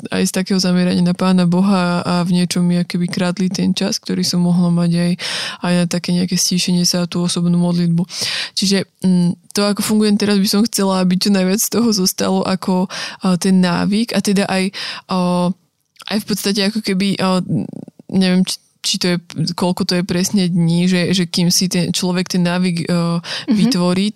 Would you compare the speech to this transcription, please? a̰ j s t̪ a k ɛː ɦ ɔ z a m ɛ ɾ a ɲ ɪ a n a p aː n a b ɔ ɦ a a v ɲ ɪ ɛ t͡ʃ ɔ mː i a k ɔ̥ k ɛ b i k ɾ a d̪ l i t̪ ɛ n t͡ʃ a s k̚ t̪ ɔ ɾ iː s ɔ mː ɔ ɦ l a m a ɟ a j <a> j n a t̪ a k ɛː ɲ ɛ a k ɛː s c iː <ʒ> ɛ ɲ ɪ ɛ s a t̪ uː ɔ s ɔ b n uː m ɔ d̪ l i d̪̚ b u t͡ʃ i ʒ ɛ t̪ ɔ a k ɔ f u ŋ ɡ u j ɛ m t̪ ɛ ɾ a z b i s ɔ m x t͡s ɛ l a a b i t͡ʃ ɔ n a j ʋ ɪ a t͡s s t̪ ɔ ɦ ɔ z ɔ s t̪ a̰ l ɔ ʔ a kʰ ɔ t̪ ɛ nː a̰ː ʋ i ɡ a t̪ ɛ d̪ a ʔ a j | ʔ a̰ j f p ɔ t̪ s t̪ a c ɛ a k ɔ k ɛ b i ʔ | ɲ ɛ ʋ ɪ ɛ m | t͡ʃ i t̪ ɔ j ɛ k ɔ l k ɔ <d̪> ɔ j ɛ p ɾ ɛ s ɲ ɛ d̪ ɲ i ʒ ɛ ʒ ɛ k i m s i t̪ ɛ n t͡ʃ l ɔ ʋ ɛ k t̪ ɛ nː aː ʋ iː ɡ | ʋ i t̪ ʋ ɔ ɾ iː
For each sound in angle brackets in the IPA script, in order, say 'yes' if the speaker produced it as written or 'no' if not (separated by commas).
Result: yes, no, no